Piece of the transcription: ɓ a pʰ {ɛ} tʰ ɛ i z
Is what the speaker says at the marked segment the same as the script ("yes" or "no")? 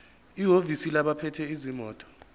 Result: yes